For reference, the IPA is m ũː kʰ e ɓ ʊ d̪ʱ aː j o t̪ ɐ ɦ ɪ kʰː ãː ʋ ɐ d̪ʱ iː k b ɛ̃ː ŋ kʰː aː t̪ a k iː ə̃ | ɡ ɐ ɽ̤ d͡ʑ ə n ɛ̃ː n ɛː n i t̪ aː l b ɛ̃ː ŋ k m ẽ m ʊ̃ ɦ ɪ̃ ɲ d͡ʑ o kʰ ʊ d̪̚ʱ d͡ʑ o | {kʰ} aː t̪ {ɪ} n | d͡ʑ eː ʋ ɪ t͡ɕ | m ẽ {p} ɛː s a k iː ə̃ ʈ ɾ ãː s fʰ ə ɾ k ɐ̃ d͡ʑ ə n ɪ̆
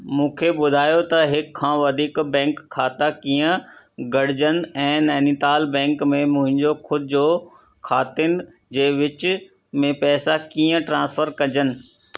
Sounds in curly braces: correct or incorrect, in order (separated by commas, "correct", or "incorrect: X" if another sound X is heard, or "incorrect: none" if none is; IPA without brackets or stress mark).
correct, correct, correct